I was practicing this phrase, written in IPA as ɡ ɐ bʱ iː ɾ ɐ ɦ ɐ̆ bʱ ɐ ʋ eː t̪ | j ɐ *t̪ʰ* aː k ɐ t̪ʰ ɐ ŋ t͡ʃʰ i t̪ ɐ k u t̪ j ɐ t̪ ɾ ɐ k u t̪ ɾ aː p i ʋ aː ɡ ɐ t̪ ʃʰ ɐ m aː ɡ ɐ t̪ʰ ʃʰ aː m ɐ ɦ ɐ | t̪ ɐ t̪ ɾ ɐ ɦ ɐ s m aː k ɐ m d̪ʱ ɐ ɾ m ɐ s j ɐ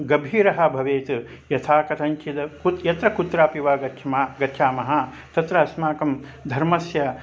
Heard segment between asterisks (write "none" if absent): t̪ʰ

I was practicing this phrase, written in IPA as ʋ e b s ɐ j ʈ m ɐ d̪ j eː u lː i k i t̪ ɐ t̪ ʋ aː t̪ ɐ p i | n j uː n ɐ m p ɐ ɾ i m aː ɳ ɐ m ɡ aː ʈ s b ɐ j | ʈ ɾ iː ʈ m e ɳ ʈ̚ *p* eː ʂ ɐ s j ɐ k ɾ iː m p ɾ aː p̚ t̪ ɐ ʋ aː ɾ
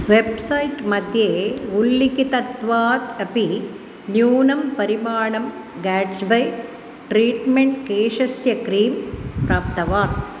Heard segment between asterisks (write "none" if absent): k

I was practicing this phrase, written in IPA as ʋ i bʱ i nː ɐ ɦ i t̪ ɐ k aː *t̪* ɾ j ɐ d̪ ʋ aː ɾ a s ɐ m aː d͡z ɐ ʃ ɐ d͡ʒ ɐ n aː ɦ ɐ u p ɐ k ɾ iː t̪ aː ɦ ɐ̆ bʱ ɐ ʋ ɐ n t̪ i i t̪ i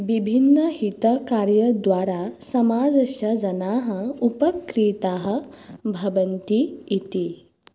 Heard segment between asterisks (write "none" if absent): none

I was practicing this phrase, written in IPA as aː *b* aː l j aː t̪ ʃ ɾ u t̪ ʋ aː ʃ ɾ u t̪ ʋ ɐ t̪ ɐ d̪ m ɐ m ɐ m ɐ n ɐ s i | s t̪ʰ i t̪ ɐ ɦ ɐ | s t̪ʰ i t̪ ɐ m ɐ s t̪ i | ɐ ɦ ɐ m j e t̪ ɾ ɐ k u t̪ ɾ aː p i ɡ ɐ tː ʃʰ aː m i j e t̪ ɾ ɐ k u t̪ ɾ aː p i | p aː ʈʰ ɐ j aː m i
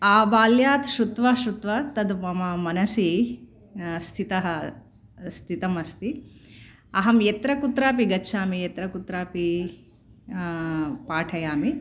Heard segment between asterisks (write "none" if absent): b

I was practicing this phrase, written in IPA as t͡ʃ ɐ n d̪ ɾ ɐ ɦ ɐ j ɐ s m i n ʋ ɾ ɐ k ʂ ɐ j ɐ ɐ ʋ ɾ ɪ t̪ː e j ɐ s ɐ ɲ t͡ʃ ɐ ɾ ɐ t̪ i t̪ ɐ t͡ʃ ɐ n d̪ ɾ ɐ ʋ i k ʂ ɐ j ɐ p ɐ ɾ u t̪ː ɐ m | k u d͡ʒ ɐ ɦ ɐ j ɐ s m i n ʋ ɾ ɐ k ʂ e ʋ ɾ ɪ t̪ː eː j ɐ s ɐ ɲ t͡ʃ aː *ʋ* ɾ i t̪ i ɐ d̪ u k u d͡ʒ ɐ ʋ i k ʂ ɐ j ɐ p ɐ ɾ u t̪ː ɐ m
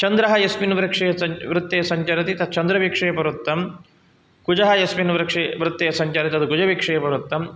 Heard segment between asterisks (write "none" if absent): none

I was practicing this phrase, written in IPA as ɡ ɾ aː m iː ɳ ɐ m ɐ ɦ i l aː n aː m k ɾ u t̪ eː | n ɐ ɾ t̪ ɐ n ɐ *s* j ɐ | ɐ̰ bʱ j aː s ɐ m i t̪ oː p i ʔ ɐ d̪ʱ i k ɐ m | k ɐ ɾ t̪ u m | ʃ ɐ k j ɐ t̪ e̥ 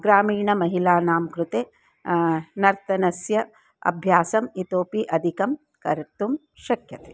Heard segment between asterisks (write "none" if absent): s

